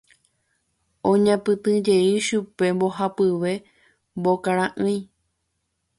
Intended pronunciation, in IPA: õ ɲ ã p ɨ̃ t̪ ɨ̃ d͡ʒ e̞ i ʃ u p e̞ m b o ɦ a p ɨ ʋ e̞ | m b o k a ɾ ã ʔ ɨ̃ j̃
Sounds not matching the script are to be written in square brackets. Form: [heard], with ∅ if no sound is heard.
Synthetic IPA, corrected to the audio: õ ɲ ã p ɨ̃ t̪ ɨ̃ d͡ʒ e̞ i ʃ u p e̞ m b o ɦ a p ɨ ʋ e̞ | m b o k a ɾ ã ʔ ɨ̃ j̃